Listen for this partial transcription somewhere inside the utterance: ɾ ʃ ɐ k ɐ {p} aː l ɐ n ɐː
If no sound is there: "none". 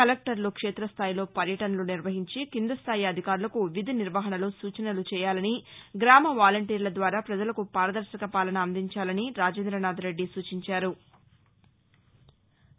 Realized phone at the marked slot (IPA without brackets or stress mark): p